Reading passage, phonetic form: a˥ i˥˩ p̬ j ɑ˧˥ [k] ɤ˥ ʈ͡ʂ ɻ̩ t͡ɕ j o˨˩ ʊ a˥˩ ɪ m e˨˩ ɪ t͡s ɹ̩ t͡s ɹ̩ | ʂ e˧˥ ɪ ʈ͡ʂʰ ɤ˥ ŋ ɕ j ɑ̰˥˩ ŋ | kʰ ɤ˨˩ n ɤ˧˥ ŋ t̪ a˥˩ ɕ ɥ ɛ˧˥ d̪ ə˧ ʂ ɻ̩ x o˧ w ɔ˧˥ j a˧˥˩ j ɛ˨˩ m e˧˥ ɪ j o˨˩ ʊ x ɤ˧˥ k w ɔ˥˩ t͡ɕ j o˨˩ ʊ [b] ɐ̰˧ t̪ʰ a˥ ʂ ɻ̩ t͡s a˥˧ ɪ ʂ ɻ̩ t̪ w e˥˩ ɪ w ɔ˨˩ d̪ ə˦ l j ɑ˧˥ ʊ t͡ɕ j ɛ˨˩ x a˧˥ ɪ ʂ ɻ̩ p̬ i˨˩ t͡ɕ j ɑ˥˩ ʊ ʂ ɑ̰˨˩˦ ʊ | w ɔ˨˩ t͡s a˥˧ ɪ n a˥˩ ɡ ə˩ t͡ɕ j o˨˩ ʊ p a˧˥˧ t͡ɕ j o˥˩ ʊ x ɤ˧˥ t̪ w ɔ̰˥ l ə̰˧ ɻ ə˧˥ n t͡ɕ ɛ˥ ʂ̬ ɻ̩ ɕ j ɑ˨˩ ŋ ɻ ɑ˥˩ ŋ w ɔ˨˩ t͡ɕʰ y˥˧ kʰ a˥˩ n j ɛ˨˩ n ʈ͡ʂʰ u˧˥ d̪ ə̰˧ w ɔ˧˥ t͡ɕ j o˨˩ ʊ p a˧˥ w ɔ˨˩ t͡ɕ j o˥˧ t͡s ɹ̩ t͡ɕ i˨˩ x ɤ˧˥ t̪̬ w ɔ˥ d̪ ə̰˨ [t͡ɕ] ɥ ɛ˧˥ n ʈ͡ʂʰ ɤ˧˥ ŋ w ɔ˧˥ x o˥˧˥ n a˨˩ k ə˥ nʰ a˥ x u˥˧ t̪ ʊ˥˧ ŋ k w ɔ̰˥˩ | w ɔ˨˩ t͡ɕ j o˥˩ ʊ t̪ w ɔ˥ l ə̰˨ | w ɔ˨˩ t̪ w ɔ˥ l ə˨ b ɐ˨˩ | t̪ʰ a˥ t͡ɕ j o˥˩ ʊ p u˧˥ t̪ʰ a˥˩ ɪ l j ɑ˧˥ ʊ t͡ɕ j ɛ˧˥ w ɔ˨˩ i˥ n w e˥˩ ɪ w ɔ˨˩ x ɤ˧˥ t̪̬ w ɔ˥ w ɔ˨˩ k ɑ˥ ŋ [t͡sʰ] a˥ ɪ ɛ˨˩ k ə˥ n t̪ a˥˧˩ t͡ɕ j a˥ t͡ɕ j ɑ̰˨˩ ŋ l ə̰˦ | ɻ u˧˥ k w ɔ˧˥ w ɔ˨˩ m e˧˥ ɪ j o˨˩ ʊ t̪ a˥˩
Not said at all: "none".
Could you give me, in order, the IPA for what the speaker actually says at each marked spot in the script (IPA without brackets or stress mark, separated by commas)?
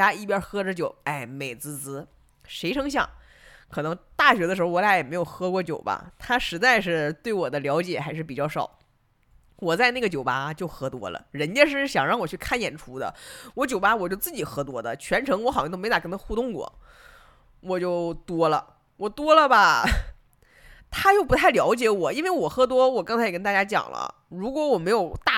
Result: x, b, t͡ɕʰ, t͡sʰ